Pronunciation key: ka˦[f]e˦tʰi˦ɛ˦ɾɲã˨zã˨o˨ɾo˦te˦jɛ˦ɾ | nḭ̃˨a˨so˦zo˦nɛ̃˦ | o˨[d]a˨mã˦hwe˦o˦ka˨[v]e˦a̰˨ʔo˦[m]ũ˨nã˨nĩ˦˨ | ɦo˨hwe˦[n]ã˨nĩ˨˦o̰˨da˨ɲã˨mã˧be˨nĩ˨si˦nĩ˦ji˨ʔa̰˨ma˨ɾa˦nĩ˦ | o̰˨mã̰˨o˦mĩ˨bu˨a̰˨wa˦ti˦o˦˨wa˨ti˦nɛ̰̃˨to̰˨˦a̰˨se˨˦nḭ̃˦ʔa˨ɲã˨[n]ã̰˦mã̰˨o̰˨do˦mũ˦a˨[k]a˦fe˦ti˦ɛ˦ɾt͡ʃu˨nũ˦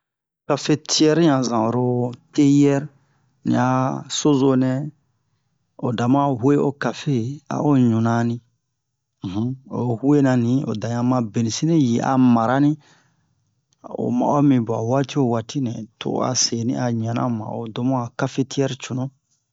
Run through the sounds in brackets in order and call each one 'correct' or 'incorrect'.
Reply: correct, correct, incorrect, incorrect, correct, correct, correct

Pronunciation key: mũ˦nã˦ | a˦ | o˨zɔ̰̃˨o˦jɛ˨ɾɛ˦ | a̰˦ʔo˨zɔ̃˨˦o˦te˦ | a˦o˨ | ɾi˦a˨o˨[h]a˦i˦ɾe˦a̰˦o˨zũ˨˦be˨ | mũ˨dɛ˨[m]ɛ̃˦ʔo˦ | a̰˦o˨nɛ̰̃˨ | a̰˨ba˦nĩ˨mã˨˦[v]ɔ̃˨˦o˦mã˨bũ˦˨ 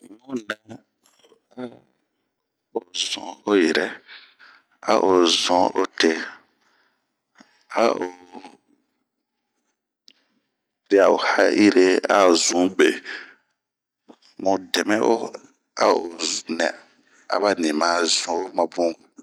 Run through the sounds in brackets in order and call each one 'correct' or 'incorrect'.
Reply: correct, correct, incorrect

